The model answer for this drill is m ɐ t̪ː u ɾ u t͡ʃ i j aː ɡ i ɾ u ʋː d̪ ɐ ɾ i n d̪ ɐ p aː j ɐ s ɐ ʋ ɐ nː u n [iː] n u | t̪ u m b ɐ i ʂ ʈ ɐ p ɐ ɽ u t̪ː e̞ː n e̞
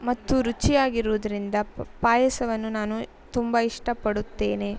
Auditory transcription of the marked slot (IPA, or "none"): aː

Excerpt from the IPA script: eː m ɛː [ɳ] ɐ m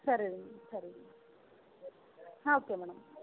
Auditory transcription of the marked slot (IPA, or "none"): ɳ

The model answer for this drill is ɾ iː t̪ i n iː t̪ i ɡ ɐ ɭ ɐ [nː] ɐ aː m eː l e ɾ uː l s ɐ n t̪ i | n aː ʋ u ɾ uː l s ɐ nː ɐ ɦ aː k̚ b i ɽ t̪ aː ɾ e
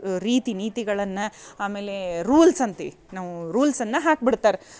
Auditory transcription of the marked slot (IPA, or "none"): nː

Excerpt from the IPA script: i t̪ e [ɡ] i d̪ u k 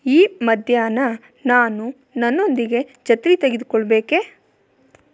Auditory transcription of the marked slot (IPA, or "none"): ɡ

